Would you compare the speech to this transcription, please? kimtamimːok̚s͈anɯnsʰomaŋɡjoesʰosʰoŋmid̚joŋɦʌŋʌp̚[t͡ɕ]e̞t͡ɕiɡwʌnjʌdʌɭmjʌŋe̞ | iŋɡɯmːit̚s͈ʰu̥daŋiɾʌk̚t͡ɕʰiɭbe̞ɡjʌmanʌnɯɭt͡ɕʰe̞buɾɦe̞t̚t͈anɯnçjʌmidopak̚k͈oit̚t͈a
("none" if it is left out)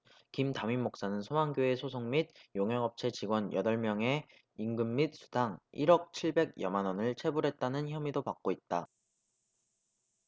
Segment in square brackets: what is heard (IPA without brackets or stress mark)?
t͡ɕʰ